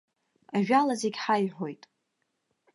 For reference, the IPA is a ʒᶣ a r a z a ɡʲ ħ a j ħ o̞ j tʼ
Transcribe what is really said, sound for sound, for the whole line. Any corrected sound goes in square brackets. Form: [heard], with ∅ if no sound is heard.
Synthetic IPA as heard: a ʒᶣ a [l] a z [e] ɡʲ ħ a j ħ o̞ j tʼ